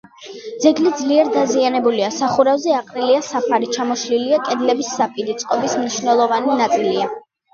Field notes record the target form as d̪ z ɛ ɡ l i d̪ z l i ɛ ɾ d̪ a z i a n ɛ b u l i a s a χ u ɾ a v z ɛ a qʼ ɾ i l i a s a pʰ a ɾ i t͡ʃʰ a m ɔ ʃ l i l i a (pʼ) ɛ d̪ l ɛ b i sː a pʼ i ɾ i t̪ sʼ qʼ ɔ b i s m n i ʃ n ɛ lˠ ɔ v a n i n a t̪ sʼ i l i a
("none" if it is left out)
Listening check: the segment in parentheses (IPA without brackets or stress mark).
kʼ